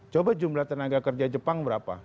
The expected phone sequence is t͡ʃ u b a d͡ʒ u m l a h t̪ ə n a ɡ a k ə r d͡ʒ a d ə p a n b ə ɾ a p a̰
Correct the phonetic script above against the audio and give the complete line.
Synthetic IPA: t͡ʃ o b a d͡ʒ u m l a h t̪ ə n a ɡ a k ə r d͡ʒ a d͡ʒ ə p a ŋ b ə ɾ a p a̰